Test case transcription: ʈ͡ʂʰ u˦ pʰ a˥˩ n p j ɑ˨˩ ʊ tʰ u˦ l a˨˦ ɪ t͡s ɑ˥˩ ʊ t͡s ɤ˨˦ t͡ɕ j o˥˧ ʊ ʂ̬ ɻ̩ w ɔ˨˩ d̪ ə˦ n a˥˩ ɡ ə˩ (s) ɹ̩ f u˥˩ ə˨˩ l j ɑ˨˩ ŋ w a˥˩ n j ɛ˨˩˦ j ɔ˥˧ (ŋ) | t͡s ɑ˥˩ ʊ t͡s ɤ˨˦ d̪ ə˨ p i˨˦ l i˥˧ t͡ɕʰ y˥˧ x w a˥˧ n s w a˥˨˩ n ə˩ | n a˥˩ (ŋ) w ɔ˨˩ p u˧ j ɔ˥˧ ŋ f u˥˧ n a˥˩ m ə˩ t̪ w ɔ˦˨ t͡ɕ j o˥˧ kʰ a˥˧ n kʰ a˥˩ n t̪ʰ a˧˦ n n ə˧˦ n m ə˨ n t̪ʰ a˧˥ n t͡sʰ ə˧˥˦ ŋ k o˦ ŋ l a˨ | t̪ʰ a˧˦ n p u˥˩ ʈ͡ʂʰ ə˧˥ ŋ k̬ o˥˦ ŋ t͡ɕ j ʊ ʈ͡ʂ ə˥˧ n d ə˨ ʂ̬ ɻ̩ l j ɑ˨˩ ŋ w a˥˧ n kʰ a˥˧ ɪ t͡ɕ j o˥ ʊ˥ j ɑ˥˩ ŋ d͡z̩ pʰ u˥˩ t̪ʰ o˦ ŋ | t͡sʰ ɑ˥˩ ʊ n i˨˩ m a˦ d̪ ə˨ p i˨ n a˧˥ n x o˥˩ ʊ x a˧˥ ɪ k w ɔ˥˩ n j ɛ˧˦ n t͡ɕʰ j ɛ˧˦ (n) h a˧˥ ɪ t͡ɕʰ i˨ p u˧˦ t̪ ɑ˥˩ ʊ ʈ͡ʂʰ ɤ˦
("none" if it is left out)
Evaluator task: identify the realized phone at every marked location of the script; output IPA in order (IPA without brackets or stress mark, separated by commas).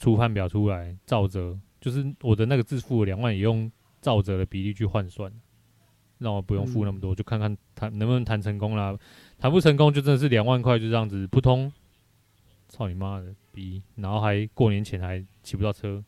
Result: t͡s, ŋ, ŋ, n